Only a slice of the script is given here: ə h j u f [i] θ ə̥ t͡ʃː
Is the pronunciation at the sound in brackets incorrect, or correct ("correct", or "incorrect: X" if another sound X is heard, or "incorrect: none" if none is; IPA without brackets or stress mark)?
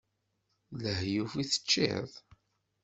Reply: correct